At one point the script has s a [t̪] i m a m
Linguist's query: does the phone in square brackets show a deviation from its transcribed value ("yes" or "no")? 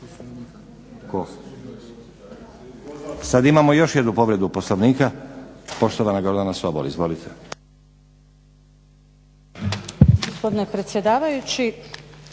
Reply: yes